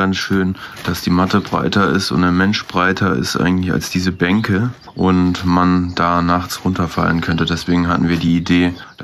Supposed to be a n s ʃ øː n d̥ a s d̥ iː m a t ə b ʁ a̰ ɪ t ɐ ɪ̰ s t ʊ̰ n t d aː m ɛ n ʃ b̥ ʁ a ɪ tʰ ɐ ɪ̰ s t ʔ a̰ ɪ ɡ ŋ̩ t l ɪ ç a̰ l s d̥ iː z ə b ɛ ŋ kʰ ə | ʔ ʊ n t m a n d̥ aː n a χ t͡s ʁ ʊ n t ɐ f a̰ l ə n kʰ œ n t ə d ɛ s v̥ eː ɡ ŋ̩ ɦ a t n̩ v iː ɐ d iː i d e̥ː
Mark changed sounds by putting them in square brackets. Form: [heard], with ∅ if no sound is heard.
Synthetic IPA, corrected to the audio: a n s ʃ øː n d̥ a s d̥ iː m a t ə b ʁ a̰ ɪ t ɐ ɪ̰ s t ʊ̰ n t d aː m ɛ n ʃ b̥ ʁ a ɪ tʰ ɐ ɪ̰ s t ʔ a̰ ɪ ɡ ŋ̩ t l ɪ ç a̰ l s d̥ iː z ə b ɛ ŋ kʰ ə | ʔ ʊ n t m a n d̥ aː n a χ t͡s ʁ ʊ n t ɐ f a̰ l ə n kʰ œ n t ə d ɛ s v̥ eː ɡ ŋ̩ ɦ a t n̩ v iː ɐ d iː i d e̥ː